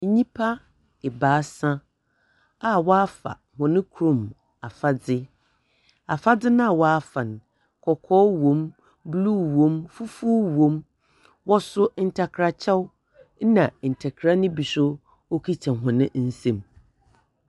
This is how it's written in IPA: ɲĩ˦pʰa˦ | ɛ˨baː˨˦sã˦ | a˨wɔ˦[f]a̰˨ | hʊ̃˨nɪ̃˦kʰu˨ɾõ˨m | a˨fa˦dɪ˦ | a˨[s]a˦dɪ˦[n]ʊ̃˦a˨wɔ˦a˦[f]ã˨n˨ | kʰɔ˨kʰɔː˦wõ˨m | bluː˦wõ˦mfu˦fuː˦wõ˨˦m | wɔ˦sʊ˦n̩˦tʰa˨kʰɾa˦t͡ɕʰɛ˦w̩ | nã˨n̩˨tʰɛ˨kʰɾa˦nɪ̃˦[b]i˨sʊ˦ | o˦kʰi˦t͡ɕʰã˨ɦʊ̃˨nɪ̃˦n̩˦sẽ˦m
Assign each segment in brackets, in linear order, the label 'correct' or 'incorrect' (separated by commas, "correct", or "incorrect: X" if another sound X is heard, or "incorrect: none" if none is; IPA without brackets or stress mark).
correct, incorrect: f, correct, correct, correct